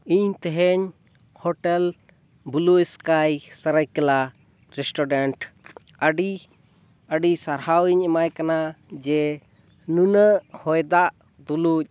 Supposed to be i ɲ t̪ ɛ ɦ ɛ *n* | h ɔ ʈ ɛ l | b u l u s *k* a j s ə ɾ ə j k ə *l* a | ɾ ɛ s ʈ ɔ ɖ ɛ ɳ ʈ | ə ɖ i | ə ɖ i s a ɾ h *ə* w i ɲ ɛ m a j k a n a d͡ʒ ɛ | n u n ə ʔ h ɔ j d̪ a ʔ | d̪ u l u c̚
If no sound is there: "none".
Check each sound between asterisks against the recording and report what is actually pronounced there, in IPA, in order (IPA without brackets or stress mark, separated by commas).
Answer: ɲ, k, l, a